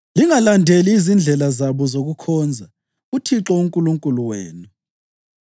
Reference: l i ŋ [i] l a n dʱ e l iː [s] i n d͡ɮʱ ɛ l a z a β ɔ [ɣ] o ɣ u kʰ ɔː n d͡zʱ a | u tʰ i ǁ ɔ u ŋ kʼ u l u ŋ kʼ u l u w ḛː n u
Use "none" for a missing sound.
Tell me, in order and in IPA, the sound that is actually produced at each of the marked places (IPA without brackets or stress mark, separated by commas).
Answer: a, z, z